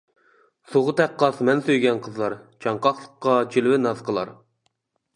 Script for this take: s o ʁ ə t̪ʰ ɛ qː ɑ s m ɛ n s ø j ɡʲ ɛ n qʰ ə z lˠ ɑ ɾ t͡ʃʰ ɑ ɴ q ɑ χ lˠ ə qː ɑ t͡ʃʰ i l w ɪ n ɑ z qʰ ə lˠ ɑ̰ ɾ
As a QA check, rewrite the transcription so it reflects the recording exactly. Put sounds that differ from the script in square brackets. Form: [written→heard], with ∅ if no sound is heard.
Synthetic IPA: s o ʁ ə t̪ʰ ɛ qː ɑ s m ɛ n s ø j ɡʲ ɛ n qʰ ə z lˠ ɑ ɾ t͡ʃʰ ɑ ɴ q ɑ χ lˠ ə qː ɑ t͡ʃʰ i l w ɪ n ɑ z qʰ ə lˠ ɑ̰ ɾ